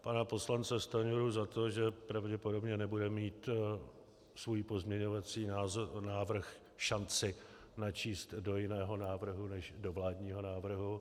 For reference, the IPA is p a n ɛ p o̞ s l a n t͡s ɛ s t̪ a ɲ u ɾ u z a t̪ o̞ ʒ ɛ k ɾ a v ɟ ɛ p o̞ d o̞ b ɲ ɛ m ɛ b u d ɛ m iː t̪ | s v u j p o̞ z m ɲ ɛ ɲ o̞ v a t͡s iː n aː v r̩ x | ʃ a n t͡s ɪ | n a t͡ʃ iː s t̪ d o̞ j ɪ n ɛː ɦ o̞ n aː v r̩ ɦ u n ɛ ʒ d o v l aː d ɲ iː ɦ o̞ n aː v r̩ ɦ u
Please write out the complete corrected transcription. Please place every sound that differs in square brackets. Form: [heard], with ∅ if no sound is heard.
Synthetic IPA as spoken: p a n [a] p o̞ s l a n t͡s ɛ s t̪ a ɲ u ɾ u z a t̪ o̞ ʒ ɛ [p] ɾ a v ɟ ɛ p o̞ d o̞ b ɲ ɛ [n] ɛ b u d ɛ m iː t̪ | s v u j p o̞ z m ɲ ɛ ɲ o̞ v a t͡s iː n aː v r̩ x | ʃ a n t͡s ɪ | n a t͡ʃ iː s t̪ d o̞ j ɪ n ɛː ɦ o̞ n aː v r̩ ɦ u n ɛ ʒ d o v l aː d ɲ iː ɦ o̞ n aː v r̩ ɦ u